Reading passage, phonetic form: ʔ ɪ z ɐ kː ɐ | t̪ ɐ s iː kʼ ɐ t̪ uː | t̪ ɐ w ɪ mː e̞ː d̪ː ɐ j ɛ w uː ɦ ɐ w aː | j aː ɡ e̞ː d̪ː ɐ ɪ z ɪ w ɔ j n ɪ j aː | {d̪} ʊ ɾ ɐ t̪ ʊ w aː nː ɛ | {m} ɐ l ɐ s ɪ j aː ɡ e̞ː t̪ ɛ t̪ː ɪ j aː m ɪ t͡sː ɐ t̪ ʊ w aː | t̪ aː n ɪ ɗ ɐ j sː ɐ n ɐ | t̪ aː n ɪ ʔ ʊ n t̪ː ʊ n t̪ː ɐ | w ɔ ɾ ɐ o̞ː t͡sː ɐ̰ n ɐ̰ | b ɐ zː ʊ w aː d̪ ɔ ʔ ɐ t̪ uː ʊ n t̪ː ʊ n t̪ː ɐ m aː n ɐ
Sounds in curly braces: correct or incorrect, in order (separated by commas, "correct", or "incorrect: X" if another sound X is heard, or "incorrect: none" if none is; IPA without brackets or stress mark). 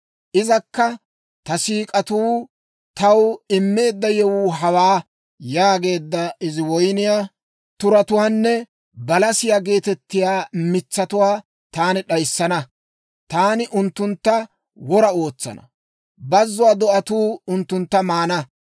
incorrect: t̪, incorrect: b